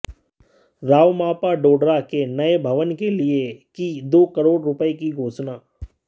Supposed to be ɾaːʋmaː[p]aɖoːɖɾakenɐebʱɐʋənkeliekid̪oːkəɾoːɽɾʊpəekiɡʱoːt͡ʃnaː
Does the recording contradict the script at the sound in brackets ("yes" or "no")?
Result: no